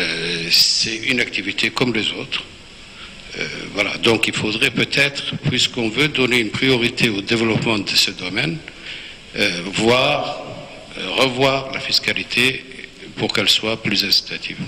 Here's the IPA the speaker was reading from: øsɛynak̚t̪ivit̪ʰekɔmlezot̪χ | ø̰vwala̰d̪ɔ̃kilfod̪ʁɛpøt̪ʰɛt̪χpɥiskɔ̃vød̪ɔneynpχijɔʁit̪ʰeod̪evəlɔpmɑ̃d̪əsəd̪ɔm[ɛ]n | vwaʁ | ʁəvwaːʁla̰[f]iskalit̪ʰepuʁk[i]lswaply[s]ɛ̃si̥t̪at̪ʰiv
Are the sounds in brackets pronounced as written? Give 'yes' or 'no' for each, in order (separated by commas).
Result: yes, yes, no, no